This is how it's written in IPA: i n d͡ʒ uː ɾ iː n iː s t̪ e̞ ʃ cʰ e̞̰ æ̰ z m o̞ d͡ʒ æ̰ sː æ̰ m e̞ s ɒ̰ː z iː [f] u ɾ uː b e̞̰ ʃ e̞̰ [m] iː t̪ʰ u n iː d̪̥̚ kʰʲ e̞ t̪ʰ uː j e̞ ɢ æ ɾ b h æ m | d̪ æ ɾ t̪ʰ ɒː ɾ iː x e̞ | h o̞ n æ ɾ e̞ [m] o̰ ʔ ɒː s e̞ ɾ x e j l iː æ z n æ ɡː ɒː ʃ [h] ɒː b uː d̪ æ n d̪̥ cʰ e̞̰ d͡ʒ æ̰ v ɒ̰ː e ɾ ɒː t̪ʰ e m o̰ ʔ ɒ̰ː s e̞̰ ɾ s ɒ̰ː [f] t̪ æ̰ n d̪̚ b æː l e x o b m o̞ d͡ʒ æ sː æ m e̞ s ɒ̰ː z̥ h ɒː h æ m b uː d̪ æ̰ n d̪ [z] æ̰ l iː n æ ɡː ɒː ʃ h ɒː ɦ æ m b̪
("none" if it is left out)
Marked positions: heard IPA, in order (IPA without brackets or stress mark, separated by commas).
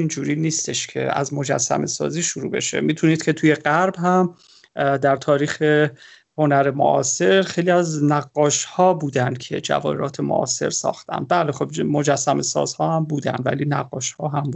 ʃ, m, m, h, x, v